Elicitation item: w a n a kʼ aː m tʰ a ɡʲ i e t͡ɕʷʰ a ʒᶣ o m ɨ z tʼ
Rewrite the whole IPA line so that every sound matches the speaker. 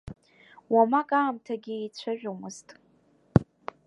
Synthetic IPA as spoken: w a m a kʼ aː m tʰ a ɡʲ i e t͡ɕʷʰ a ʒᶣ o m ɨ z tʼ

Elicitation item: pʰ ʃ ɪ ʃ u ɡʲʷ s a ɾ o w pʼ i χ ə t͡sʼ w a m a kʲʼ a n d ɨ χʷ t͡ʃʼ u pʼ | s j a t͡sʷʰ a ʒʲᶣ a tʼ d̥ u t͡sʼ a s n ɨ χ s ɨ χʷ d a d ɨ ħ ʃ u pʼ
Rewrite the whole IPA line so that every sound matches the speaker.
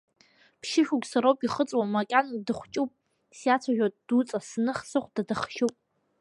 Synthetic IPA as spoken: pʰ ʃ ɪ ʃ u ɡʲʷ s a ɾ o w pʼ i χ ə t͡sʼ w a m a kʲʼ a n d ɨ χʷ t͡ʃʼ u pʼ | s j a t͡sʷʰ a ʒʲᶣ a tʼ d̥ u t͡sʼ a s n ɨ χ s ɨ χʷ d a d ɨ χ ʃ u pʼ

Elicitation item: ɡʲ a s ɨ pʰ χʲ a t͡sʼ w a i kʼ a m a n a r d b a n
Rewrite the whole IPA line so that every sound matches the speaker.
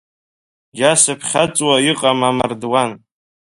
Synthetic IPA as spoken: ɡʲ a s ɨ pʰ χʲ a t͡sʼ w a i qʼ a m a m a r d w a n

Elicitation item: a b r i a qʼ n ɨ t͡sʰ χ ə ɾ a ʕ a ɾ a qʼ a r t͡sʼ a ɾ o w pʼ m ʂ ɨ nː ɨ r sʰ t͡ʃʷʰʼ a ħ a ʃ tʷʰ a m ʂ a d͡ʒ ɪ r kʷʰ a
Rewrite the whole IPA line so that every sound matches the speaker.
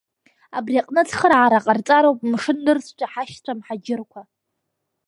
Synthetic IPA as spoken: a b r i a qʼ n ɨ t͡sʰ χ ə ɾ a ʕ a ɾ a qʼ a r t͡sʼ a ɾ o w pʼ m ʂ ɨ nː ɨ r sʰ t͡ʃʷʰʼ a ħ a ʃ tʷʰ a m ħ a d͡ʒ ɪ r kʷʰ a

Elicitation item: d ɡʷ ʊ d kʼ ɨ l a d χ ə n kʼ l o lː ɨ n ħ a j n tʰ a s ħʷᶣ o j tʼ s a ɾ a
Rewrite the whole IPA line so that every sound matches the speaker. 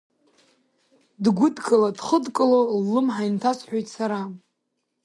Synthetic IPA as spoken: d ɡʷ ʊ d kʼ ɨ l a d χ ə d kʼ l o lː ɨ m ħ a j n tʰ a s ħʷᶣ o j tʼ s a ɾ a

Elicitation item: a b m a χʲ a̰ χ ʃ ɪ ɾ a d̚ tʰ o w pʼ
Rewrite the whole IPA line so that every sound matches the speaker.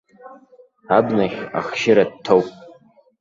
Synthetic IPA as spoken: a b n a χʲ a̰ χ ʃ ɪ ɾ a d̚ tʰ o w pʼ

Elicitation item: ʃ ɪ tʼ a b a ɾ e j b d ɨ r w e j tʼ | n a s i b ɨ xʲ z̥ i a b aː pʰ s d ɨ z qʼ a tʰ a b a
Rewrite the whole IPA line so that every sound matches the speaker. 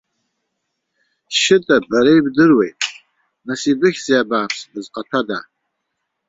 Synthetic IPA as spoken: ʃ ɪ tʼ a b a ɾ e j b d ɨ r w e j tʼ | n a s i b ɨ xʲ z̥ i a b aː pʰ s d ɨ z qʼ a tʰ a d a

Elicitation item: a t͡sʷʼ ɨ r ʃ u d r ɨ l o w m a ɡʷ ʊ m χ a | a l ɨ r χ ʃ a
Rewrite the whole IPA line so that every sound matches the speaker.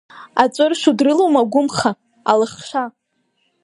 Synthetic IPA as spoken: a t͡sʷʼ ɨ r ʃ u d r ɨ l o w m a ɡʷ ʊ m χ a | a l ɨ χ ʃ a

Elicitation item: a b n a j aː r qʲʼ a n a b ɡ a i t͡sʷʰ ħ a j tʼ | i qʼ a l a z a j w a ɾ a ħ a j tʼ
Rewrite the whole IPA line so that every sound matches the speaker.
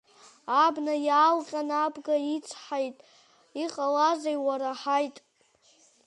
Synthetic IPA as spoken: a b n a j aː l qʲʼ a n a b ɡ a i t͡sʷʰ ħ a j tʼ | i qʼ a l a z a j w a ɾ a ħ a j tʼ

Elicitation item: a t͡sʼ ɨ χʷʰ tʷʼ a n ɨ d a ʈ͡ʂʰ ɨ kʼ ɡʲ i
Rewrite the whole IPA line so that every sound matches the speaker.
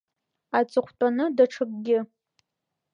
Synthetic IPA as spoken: a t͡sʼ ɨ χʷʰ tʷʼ a n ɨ d a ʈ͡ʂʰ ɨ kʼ ɡʲ ɪ

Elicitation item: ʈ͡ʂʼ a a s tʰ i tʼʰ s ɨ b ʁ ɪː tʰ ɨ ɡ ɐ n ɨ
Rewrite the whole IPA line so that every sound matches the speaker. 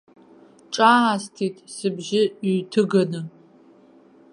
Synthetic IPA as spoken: ʈ͡ʂʼ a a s tʰ i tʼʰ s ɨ b ʒ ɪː tʰ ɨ ɡ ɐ n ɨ

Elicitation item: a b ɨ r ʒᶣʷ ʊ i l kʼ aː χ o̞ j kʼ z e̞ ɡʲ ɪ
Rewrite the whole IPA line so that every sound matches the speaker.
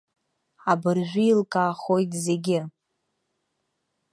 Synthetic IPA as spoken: a b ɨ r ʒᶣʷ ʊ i l kʼ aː χ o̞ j tʼ z e̞ ɡʲ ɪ

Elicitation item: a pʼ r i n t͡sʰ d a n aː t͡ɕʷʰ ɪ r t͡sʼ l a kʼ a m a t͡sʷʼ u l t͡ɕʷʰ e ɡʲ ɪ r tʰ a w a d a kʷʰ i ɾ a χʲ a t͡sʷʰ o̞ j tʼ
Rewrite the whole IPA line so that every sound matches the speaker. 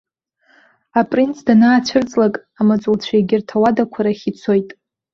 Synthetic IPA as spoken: a pʼ r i n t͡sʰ d a n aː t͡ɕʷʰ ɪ r t͡sʼ l a kʼ a m a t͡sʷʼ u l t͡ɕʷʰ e ɡʲ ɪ r tʰ a w a d a kʷʰ a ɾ a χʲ i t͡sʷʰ o̞ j tʼ

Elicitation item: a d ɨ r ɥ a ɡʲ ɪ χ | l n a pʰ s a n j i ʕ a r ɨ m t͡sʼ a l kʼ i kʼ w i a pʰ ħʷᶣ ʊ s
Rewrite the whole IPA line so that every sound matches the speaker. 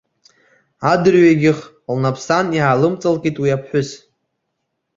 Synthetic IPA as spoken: a d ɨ r ɥ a ɡʲ ɪ χ | l n a pʰ s a n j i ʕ a l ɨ m t͡sʼ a l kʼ i tʼ w i a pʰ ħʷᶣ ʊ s

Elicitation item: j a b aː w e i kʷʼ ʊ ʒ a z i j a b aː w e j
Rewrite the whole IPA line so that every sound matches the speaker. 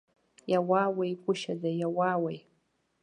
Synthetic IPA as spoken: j a w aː w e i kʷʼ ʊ ʃ a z a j a w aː w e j

